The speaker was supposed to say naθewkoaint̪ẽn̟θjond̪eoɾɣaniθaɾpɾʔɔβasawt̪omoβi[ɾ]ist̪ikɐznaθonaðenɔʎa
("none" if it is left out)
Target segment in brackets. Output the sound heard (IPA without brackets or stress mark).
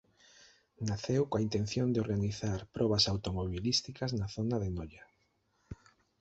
l